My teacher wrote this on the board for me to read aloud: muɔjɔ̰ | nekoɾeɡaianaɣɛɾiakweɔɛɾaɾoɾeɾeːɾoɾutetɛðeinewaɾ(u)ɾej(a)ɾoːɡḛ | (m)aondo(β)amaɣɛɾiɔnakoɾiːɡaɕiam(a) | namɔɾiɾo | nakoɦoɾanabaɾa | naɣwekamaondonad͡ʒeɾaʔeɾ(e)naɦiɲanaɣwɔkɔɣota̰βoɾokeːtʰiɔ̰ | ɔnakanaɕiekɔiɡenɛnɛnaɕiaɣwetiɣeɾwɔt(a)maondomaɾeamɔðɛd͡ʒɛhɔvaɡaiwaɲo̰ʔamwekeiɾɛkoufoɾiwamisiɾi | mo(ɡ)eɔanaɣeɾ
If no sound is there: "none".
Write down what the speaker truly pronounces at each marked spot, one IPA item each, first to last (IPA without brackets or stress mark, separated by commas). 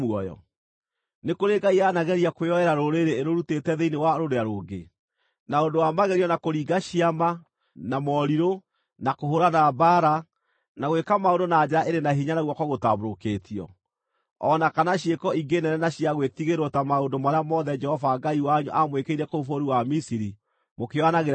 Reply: o, a, n, w, a, e, a, k